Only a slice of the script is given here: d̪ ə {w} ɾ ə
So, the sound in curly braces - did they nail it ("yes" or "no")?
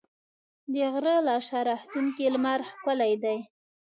no